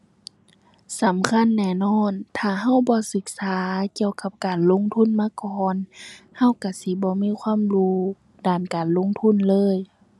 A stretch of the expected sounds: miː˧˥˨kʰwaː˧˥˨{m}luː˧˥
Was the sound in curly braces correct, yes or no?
yes